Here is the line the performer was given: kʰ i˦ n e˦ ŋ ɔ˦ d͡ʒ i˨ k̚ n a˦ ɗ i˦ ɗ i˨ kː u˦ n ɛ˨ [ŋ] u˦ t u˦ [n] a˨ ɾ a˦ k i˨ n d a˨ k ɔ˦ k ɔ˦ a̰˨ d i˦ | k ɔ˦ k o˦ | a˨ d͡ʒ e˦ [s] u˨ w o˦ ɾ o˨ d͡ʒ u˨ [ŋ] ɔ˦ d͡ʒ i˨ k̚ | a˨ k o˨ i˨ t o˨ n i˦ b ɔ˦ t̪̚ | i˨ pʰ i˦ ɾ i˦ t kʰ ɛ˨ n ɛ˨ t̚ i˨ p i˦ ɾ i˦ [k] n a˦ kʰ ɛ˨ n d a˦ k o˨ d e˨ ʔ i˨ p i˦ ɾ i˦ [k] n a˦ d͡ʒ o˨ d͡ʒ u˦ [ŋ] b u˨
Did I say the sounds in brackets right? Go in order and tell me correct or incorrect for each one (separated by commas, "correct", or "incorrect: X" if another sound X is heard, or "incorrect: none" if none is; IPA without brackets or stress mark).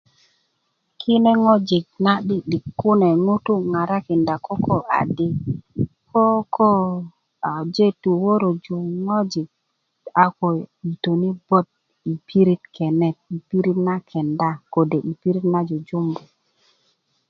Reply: correct, incorrect: ŋ, incorrect: t, correct, incorrect: t, incorrect: t, incorrect: m